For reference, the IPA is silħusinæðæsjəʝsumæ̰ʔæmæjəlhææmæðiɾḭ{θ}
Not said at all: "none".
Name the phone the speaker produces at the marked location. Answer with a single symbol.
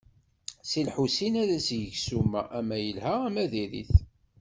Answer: θ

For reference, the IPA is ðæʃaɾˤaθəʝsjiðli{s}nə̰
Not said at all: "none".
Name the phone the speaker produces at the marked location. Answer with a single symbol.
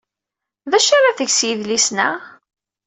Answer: s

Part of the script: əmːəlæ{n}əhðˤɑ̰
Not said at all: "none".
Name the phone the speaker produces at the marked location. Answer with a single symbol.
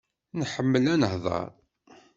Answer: n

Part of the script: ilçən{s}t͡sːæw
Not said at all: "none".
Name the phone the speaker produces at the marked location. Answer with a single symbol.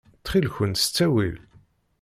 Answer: s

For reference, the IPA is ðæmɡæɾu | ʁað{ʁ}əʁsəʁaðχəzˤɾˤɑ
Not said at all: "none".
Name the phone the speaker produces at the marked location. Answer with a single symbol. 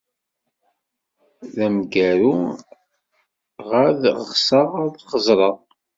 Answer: ʁ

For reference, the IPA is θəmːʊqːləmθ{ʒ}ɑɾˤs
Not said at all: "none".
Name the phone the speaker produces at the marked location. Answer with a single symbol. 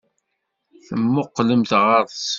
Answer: ʁ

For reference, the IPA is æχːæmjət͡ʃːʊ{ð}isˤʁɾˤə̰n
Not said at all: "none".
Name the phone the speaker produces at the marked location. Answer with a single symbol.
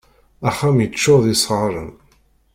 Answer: ð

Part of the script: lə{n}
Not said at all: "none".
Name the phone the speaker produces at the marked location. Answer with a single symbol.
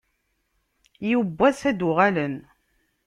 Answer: n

